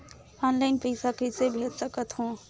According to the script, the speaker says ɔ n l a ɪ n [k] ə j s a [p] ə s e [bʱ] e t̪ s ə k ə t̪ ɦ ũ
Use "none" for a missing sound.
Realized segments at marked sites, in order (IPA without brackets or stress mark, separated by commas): p, k, bʱ